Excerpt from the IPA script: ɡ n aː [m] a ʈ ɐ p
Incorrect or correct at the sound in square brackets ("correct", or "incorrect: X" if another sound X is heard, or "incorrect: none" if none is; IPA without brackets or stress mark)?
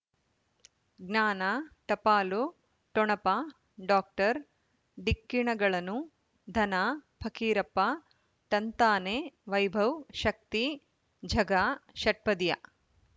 incorrect: n